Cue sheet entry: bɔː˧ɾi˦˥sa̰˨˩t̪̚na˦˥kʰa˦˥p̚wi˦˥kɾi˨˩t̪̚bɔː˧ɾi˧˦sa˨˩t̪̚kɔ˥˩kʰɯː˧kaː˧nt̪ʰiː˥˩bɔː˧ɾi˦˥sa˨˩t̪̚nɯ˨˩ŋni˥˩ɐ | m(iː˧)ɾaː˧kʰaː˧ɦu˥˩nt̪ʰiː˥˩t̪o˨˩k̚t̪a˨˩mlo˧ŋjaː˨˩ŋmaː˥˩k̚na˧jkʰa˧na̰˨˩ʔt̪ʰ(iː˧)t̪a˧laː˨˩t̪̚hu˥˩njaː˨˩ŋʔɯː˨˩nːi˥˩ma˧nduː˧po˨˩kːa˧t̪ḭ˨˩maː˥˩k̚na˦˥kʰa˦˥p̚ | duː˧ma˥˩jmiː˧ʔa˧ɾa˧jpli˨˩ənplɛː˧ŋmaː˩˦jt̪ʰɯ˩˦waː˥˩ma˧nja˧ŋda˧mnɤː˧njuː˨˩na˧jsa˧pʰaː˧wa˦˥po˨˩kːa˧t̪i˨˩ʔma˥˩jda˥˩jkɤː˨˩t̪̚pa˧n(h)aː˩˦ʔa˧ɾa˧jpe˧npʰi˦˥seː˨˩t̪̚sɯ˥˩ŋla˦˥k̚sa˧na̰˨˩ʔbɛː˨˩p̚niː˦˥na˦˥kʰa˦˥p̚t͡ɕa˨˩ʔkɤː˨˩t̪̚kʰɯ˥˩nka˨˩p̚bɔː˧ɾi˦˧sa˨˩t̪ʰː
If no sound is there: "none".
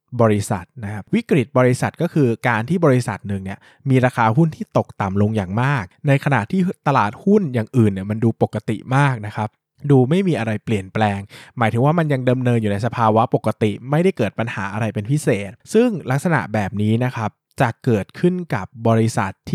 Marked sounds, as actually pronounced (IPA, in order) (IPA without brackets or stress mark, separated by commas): iː˧, iː˥˩, h